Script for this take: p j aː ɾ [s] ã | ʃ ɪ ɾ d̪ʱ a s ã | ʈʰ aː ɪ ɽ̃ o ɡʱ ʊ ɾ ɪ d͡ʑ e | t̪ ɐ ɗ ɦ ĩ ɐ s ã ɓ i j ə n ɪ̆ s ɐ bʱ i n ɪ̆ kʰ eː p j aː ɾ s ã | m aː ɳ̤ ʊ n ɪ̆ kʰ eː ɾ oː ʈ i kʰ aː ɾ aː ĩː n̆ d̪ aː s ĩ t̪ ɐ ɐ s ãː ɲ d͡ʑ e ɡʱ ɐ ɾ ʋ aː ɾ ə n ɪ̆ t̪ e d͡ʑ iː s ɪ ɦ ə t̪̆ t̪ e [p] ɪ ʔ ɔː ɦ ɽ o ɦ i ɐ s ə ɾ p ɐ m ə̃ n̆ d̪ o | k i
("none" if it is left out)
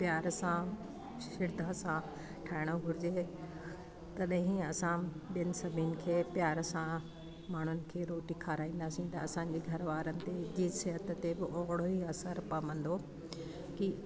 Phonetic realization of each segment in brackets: s, b

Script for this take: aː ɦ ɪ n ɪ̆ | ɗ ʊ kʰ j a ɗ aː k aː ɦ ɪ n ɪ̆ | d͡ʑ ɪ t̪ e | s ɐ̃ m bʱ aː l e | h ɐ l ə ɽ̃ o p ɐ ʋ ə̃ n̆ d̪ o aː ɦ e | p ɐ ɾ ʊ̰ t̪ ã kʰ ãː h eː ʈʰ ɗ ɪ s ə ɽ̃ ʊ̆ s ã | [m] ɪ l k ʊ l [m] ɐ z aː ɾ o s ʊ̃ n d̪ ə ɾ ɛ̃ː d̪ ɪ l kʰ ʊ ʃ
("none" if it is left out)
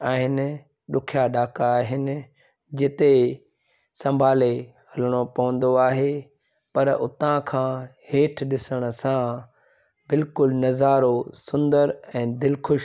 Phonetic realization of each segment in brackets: b, n

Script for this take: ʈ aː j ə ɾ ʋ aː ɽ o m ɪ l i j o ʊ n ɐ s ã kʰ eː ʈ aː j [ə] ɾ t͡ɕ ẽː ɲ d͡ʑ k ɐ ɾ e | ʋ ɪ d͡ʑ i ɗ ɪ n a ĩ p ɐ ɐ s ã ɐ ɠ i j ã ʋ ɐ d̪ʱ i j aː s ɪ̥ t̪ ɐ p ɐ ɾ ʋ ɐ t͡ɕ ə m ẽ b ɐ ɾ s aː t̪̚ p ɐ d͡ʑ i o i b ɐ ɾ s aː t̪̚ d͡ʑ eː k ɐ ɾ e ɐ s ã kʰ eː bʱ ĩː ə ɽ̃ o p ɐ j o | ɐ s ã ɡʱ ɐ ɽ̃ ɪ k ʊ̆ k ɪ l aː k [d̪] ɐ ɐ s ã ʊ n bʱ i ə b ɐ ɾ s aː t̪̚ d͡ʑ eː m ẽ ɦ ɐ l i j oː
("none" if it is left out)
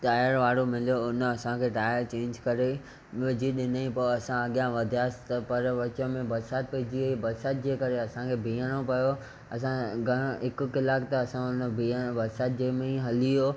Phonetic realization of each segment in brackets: ə, t̪

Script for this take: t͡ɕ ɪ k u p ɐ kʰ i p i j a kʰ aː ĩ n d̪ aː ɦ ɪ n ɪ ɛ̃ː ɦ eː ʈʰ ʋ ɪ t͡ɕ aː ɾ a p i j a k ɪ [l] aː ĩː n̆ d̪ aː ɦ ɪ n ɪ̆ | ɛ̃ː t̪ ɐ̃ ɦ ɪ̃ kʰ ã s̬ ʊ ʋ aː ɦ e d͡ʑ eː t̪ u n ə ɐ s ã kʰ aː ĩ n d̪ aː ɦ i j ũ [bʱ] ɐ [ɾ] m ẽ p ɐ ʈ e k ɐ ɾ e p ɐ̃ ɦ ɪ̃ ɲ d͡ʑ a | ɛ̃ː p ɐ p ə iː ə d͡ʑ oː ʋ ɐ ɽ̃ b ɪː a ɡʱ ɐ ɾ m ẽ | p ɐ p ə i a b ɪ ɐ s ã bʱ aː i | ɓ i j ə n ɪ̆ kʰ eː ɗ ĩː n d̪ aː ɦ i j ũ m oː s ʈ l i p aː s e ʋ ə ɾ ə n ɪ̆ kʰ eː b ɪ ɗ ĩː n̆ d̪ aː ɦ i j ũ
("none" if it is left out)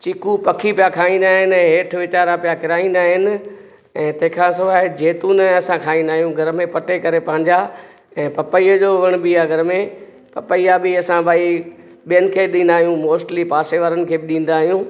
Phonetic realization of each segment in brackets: ɾ, ɡʱ, ɾ

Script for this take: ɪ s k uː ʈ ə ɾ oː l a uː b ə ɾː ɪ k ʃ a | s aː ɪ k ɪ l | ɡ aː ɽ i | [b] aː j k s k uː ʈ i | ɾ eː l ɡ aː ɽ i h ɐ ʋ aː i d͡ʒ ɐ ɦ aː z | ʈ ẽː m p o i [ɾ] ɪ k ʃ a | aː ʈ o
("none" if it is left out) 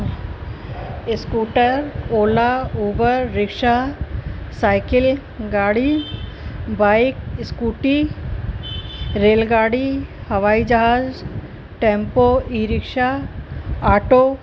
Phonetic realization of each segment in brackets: b, ɾ

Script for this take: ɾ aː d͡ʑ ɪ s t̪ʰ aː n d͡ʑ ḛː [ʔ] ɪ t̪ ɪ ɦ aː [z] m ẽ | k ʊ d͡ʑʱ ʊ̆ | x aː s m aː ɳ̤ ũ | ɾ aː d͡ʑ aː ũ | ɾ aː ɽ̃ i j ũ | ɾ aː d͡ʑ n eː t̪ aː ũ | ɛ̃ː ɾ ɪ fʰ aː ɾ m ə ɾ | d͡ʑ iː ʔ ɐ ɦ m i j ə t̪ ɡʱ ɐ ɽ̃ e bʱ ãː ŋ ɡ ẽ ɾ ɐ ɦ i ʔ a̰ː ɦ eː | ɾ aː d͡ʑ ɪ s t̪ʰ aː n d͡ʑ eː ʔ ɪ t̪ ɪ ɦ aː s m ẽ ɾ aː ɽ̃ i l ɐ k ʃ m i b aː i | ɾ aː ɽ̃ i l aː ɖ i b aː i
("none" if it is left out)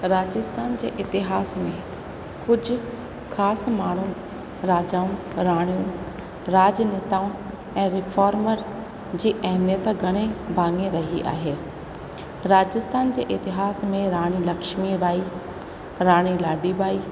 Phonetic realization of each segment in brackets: ʔ, s

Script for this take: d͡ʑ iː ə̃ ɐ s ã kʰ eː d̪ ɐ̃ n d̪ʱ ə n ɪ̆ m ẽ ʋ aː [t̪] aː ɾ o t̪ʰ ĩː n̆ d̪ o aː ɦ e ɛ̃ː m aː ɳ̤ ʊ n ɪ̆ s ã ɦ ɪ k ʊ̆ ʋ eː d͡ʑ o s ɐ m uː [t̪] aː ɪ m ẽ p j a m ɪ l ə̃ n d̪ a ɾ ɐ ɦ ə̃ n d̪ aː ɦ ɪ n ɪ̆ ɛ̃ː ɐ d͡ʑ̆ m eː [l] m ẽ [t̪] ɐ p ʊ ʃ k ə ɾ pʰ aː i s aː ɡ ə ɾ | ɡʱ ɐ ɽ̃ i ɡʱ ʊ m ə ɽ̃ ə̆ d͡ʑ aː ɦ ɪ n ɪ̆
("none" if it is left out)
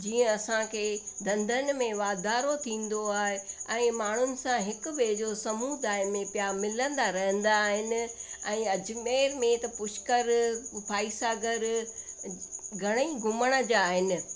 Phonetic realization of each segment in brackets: d̪, d̪, ɾ, t̪

